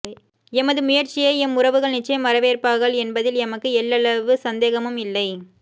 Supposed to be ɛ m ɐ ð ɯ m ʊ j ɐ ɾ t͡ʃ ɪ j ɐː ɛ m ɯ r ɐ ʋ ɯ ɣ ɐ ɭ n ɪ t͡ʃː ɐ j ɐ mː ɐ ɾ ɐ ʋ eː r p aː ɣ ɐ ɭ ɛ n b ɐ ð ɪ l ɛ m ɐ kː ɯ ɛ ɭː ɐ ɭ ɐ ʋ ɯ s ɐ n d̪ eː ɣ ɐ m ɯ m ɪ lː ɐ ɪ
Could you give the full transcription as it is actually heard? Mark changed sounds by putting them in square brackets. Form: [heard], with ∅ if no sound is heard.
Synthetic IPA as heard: ɛ m ɐ ð ɯ m ʊ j ɐ ɾ t͡ʃ ɪ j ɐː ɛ m [ʊ] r ɐ ʋ ɯ ɣ ɐ ɭ n ɪ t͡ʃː ɐ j ɐ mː ɐ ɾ ɐ ʋ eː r p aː ɣ ɐ ɭ ɛ n b ɐ ð ɪ l ɛ m ɐ kː ɯ ɛ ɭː ɐ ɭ ɐ ʋ ɯ s ɐ n d̪ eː ɣ ɐ m ɯ m ɪ lː ɐ ɪ